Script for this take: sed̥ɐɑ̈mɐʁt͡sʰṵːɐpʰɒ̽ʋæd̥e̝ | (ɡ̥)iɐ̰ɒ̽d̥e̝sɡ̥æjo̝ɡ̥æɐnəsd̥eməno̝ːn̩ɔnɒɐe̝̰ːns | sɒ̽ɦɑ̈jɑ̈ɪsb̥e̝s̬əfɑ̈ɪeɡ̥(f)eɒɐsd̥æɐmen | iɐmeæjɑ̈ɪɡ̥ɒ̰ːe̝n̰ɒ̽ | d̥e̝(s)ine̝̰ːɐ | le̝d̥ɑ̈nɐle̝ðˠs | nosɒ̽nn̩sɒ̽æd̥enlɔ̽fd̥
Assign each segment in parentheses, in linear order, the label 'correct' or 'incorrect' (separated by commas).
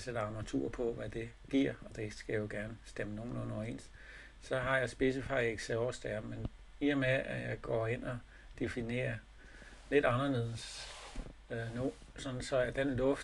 correct, incorrect, incorrect